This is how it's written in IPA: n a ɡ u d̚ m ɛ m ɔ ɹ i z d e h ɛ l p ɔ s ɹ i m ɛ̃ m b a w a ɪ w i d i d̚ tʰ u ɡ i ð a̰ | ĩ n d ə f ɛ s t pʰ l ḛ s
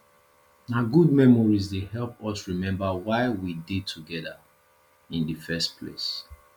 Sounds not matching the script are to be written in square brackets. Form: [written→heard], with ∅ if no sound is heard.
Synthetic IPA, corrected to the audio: n a ɡ u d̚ m ɛ m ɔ ɹ i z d e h ɛ l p ɔ s ɹ i m ɛ̃ m b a w a ɪ w i d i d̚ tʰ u ɡ [i→ɛ] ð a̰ | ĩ n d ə f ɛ s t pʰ l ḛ s